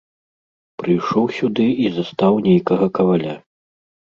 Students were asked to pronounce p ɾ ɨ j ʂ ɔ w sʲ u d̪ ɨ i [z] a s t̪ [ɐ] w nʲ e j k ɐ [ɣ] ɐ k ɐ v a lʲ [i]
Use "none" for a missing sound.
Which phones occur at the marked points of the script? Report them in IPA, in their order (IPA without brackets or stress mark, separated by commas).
z, a, ɣ, a